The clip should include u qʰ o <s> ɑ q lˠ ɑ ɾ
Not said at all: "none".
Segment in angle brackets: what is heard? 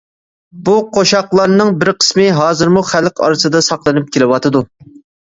ʃ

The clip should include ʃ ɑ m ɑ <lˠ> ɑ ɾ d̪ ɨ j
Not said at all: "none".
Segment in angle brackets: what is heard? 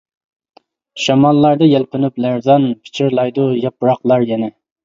lˠː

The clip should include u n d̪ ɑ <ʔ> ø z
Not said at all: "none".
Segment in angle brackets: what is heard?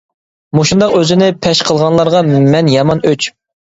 q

